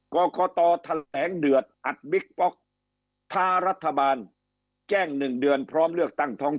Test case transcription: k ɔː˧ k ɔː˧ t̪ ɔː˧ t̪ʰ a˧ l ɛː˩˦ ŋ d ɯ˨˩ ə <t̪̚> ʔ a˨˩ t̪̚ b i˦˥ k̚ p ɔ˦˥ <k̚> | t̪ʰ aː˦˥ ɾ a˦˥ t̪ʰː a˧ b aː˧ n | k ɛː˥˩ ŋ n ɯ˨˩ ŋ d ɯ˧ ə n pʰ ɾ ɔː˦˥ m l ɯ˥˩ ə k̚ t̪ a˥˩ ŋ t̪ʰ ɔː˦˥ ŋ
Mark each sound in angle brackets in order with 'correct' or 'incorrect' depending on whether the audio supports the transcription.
correct, correct

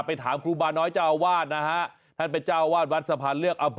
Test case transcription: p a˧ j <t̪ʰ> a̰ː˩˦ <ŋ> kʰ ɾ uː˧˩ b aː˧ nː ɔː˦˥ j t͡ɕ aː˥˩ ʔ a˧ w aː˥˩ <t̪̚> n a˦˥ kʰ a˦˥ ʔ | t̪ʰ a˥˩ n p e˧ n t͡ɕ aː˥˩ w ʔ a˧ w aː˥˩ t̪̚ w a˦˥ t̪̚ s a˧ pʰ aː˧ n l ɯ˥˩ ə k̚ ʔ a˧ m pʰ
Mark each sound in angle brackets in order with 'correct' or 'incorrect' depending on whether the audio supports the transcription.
correct, incorrect: m, correct

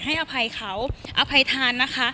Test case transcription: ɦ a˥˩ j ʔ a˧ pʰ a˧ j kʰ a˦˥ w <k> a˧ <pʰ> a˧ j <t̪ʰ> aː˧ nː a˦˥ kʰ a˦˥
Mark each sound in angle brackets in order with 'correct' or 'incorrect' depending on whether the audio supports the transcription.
incorrect: ʔ, correct, correct

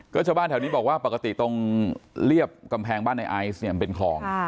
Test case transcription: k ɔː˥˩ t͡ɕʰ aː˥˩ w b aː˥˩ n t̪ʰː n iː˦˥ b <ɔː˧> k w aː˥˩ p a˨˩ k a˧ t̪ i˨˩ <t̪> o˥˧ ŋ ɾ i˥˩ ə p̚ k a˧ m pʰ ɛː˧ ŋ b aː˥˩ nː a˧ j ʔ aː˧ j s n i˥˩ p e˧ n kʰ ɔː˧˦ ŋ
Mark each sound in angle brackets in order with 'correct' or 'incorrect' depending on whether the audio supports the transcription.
incorrect: ɔː˨˩, correct

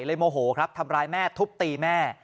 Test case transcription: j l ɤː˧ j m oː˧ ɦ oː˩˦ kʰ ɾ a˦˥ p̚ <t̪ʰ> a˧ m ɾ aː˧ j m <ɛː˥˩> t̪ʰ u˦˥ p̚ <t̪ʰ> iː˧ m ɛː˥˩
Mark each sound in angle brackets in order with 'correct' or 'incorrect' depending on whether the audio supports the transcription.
correct, correct, incorrect: t̪

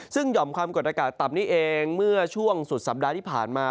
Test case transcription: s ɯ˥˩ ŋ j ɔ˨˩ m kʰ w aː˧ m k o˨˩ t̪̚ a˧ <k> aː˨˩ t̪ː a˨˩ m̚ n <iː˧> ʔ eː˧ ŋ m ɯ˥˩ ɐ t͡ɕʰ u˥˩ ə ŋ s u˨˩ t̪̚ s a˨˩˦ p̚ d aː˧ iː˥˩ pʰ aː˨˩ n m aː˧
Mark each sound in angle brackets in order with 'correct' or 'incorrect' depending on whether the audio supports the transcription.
correct, incorrect: iː˥˩

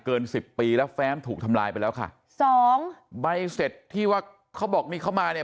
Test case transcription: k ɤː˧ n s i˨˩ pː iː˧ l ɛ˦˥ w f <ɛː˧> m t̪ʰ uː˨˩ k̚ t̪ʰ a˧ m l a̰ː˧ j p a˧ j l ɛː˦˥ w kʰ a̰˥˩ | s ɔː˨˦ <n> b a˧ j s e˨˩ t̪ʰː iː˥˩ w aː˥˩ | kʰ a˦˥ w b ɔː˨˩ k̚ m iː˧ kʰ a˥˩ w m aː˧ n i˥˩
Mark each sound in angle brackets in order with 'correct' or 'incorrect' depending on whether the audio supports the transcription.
incorrect: ɛː˦˥, incorrect: ŋ

